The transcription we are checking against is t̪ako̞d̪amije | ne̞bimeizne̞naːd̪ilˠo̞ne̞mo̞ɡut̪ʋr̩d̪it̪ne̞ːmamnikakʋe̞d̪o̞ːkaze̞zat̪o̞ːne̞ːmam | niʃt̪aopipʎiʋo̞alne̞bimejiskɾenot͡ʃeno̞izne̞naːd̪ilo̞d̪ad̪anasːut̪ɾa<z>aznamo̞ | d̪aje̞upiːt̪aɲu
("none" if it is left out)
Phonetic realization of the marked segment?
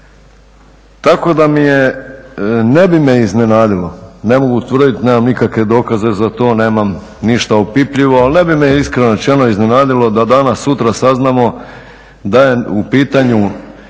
s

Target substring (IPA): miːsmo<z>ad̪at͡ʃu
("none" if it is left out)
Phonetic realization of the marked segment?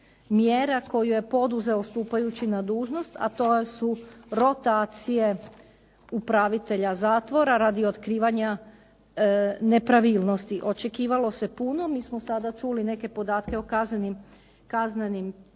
s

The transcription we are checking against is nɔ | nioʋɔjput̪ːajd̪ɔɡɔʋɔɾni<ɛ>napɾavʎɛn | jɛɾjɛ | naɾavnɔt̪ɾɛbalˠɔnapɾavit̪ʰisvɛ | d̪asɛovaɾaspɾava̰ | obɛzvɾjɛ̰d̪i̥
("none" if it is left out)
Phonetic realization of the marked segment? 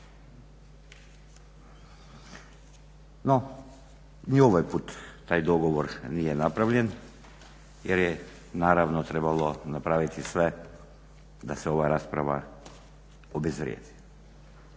ɛ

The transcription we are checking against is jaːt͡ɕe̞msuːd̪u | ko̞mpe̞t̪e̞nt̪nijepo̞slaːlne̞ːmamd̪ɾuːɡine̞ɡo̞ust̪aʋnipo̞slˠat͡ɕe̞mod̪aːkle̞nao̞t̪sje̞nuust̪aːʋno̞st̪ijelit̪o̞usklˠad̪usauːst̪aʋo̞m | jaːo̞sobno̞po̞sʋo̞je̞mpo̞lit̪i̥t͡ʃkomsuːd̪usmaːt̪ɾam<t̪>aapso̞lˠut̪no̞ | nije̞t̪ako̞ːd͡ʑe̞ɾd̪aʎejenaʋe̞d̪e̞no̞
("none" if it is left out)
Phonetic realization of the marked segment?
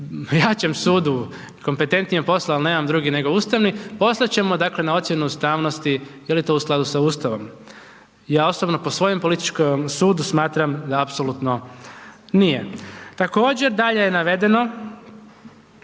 d̪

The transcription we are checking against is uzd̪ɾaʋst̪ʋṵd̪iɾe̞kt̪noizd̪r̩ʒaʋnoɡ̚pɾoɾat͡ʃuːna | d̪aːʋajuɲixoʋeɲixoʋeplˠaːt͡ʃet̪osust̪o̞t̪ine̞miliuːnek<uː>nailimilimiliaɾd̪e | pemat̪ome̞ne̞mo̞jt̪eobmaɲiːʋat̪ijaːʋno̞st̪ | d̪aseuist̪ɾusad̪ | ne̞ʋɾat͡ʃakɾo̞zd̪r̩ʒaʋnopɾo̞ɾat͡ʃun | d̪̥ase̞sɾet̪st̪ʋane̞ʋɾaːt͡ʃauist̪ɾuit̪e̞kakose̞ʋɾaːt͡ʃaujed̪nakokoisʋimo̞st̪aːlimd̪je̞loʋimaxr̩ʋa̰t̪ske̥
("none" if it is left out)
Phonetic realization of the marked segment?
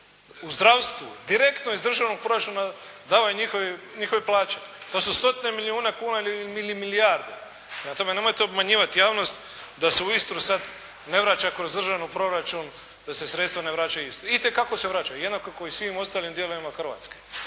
uː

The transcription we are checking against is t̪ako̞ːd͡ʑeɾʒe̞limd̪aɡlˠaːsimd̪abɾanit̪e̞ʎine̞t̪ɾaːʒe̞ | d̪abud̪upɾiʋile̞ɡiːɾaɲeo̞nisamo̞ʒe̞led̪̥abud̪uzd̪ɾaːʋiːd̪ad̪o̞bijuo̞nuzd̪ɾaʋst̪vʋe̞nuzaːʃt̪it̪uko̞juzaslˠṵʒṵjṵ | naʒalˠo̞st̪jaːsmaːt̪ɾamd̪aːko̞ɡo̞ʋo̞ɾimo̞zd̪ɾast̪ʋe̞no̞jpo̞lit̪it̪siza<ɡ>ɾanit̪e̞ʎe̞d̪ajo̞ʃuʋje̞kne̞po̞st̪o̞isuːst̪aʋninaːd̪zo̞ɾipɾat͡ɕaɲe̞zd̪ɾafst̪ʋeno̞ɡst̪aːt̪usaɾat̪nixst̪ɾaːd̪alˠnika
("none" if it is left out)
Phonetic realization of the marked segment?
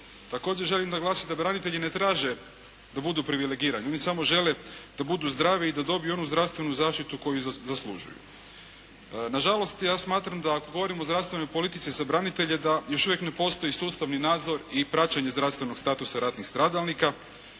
b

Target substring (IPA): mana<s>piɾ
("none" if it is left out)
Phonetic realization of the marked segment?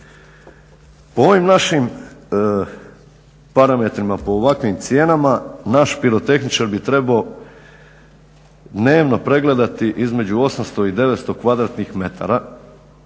ʃ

